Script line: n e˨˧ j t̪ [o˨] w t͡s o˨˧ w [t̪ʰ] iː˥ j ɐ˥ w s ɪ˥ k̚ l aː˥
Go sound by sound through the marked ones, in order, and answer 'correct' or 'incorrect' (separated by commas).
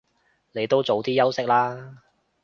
incorrect, incorrect